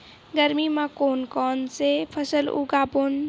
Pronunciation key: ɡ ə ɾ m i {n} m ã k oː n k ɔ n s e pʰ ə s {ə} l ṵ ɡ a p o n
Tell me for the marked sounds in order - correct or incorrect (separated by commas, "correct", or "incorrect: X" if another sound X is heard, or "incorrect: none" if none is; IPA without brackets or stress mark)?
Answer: incorrect: none, correct